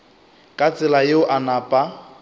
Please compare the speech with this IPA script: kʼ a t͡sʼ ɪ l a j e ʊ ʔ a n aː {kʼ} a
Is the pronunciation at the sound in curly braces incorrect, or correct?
incorrect